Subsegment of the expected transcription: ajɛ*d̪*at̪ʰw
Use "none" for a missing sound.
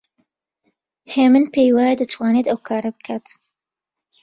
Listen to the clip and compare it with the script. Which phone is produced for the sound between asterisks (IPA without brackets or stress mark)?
d̪